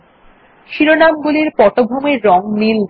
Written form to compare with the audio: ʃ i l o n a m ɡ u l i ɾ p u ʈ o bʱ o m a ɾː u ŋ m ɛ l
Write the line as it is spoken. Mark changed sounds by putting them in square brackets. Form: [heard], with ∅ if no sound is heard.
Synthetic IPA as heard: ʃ i [ɾ] o n a m ɡ u l i ɾ p [ɔ] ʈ o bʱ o m [e] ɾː [ɔ] ŋ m [i] l